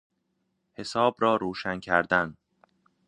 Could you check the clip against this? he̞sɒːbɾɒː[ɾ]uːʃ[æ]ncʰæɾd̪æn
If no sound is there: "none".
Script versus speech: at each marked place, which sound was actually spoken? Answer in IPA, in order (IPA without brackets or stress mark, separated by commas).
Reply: ɾ, æ